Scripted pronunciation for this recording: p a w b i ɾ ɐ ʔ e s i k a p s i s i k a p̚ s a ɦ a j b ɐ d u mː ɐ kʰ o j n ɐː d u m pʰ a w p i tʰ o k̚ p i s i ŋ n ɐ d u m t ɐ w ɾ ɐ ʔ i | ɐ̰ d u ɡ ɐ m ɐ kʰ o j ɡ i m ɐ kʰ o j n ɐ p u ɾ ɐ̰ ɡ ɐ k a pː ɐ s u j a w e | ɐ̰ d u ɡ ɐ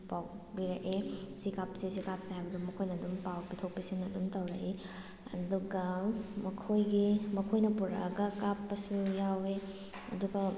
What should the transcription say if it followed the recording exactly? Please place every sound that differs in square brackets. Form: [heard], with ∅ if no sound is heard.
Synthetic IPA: p a w b i ɾ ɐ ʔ e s i k a p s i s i k a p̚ s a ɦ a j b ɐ d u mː ɐ kʰ o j n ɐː d u m [p] a w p i tʰ o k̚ p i s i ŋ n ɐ d u m t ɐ w ɾ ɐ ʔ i | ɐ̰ d u ɡ ɐ m ɐ kʰ o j ɡ i m ɐ kʰ o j n ɐ p u ɾ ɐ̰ ɡ ɐ k a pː ɐ s u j a w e | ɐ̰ d u ɡ ɐ